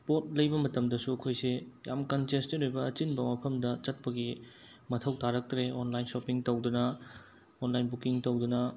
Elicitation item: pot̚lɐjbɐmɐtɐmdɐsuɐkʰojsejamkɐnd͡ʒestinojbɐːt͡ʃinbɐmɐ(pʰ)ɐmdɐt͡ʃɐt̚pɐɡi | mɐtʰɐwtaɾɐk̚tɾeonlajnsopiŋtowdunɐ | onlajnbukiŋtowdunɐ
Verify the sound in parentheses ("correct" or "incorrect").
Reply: correct